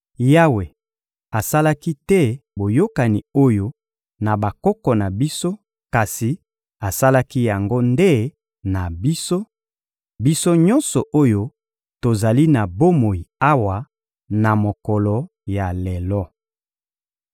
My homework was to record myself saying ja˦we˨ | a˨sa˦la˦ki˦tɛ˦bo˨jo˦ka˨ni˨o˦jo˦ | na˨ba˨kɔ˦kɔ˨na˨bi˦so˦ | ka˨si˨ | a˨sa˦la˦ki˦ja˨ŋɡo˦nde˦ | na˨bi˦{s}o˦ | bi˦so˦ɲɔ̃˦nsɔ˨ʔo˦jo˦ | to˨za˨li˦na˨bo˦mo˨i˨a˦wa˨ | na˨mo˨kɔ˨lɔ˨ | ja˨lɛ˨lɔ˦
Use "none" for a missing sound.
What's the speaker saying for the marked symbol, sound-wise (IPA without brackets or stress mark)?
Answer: s